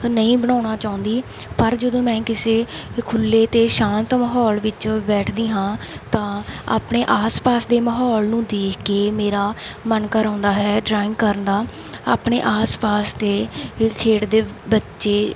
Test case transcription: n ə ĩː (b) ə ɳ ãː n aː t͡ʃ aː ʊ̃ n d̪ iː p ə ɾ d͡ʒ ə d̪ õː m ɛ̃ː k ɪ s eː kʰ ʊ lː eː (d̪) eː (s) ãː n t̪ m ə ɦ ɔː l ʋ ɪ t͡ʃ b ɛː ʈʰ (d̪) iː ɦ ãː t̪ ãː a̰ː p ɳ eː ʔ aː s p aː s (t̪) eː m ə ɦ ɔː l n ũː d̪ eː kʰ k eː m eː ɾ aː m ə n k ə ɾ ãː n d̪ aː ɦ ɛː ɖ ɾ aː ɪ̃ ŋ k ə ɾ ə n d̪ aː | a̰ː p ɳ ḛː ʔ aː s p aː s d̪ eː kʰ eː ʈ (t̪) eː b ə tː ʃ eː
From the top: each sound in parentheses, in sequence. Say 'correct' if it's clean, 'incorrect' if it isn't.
correct, incorrect, incorrect, correct, incorrect, incorrect

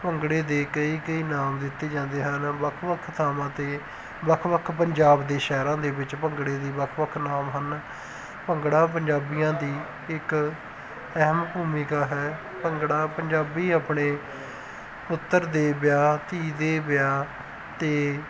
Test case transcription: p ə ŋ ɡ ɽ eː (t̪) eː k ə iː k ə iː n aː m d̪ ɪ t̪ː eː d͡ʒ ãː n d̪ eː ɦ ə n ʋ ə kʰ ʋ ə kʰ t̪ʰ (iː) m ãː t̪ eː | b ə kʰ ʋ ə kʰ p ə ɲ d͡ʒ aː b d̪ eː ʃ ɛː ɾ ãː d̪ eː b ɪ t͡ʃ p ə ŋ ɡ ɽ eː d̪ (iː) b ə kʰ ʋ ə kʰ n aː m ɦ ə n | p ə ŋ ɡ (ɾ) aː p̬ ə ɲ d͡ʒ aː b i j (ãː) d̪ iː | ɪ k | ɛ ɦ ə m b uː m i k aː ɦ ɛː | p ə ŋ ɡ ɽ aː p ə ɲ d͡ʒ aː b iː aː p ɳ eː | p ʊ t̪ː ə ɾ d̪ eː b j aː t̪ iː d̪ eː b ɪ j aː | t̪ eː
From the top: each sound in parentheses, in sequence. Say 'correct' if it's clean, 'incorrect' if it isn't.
incorrect, incorrect, correct, incorrect, correct

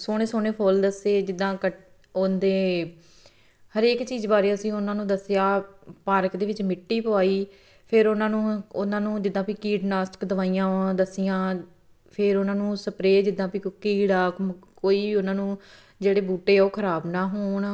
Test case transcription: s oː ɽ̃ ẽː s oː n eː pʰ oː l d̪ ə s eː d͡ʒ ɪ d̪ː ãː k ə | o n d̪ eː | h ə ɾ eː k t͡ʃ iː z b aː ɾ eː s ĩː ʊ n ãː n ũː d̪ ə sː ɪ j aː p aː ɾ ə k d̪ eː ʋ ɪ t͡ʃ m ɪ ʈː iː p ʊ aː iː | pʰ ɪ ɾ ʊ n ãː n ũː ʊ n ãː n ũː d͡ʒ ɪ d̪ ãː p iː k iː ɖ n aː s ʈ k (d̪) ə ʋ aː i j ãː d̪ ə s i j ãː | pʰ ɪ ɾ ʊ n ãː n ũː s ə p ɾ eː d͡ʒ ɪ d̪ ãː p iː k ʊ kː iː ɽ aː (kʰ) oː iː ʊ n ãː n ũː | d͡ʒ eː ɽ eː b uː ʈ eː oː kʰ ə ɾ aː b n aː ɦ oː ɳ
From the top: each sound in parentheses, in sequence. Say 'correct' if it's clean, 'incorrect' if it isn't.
correct, incorrect

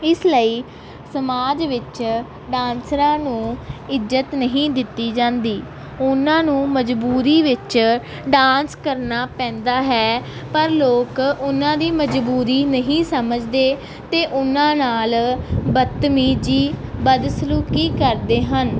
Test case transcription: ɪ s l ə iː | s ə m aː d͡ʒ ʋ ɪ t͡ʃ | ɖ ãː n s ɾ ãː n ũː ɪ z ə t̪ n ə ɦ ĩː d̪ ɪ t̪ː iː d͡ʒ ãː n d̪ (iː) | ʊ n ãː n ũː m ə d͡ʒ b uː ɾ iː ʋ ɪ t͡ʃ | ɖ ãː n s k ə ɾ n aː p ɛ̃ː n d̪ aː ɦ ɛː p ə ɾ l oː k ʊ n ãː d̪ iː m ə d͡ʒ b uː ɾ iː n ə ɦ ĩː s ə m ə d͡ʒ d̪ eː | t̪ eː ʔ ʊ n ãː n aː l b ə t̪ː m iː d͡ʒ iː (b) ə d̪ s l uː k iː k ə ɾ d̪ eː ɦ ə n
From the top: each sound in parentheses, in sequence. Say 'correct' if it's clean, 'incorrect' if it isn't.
correct, correct

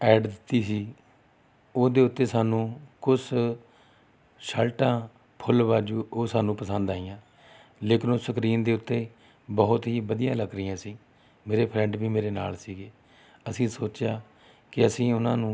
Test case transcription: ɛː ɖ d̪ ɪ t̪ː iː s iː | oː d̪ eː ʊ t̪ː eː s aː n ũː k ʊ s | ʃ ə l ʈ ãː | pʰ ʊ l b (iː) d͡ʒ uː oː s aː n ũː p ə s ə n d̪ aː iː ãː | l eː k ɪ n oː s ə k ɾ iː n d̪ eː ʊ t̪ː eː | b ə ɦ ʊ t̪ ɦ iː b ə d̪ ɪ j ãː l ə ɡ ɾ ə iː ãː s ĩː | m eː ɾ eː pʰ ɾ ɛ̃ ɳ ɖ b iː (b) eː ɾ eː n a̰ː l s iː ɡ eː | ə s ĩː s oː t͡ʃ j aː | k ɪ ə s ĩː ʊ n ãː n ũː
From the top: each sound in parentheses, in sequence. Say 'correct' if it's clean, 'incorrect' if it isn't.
incorrect, incorrect

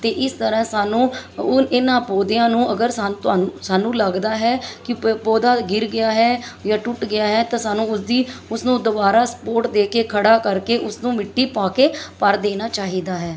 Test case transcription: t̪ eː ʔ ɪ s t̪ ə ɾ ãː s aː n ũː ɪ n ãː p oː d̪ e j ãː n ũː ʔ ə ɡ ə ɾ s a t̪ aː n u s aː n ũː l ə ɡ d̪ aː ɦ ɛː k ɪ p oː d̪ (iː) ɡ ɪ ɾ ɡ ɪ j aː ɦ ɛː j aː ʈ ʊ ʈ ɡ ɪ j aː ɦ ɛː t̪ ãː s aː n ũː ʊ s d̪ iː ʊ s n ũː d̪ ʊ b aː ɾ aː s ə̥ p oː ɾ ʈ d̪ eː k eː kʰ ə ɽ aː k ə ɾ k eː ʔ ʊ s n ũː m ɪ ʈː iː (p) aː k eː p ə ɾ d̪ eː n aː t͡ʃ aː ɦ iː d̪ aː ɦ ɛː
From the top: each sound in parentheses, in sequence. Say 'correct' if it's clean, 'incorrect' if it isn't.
incorrect, correct

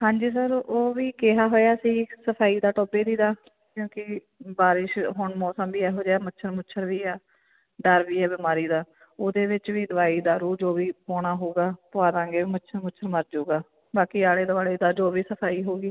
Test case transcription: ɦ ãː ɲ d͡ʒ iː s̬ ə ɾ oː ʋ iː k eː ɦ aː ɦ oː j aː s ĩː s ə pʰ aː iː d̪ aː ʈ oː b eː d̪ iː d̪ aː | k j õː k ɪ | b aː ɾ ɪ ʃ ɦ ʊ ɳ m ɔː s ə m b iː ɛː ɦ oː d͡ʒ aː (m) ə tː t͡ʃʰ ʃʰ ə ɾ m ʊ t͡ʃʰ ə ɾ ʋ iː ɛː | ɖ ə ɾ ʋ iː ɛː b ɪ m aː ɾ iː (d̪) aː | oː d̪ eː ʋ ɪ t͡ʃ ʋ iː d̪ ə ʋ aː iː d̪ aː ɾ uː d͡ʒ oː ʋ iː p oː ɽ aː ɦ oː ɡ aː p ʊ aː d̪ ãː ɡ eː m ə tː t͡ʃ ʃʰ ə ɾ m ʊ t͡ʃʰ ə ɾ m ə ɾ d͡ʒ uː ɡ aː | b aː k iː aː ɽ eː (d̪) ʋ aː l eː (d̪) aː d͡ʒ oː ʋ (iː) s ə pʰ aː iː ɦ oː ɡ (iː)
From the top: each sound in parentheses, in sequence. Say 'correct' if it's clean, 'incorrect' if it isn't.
correct, correct, correct, correct, correct, correct

